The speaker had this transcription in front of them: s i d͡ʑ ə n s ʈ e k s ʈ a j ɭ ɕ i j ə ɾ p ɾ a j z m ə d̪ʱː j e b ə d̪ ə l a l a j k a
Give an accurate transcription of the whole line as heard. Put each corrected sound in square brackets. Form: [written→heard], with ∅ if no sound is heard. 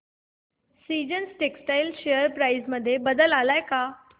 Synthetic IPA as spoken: s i d͡ʑ ə n s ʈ e k s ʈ a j [ɭ→l] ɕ [i→e] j ə ɾ p ɾ a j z m ə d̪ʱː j e b ə d̪ ə l a l a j k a